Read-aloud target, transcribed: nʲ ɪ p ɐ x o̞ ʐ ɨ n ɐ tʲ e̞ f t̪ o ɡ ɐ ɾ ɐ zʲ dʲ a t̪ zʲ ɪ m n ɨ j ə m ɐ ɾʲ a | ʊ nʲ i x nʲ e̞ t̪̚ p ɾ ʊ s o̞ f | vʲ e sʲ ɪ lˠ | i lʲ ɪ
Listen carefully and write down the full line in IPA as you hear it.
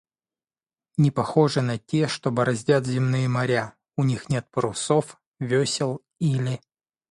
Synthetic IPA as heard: nʲ ɪ p ɐ x o̞ ʐ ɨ n ɐ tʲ e̞ ʂ t̪ o b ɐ ɾ ɐ zʲ dʲ a t̪ zʲ ɪ m n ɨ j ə m ɐ ɾʲ a | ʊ nʲ i x nʲ e̞ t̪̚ p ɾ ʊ s o̞ f | vʲ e sʲ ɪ lˠ | i lʲ ɪ

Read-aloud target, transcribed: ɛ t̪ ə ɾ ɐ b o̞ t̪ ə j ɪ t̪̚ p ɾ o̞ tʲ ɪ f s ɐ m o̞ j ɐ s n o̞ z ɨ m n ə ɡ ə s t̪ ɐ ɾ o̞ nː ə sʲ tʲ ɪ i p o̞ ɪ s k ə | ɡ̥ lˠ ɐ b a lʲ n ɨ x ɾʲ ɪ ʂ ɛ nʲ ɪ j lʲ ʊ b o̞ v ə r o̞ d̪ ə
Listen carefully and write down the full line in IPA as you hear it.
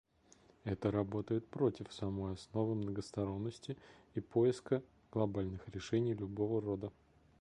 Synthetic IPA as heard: ɛ t̪ ə ɾ ɐ b o̞ t̪ ə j ɪ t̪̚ p ɾ o̞ tʲ ɪ f s ɐ m o̞ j ɐ s n o̞ v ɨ m n ə ɡ ə s t̪ ɐ ɾ o̞ nː ə sʲ tʲ ɪ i p o̞ ɪ s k ə | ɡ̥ lˠ ɐ b a lʲ n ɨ x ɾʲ ɪ ʂ ɛ nʲ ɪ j lʲ ʊ b o̞ v ə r o̞ d̪ ə

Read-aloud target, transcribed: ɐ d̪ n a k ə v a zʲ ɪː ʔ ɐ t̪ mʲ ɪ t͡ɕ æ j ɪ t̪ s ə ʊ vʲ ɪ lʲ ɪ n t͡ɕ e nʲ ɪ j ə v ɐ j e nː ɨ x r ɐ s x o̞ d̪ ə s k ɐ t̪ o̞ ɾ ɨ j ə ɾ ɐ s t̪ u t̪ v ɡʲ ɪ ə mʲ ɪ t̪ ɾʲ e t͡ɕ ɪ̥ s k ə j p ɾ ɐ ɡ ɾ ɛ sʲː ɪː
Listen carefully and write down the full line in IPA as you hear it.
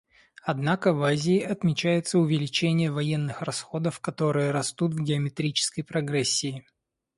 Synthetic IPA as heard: ɐ d̪ n a k ə v a zʲ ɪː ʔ ɐ t̪ mʲ ɪ t͡ɕ æ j ɪ t̪ s ə ʊ vʲ ɪ lʲ ɪ t͡ɕ e nʲ ɪ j ə v ɐ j e nː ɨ x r ɐ s x o̞ d̪ ə f k ɐ t̪ o̞ ɾ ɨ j ə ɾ ɐ s t̪ u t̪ v ɡʲ ɪ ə mʲ ɪ t̪ ɾʲ i t͡ɕ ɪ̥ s k ə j p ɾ ɐ ɡ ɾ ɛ sʲː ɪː

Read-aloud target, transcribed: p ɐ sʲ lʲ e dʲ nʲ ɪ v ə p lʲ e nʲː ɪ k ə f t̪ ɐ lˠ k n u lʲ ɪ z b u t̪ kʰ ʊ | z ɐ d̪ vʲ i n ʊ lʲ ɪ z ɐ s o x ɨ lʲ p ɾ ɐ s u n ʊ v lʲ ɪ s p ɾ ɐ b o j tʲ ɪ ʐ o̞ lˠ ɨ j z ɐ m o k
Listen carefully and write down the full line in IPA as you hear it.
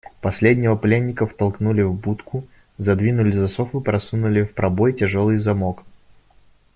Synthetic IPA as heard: p ɐ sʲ lʲ e dʲ nʲ ɪ v ə p lʲ e nʲː ɪ k ə f t̪ ɐ lˠ k n u lʲ ɪ v b u t̪ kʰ ʊ | z ɐ d̪ vʲ i n ʊ lʲ ɪ z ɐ s o f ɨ p ɾ ɐ s u n ʊ lʲ ɪ f p ɾ ɐ b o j tʲ ɪ ʐ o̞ lˠ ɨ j z ɐ m o k

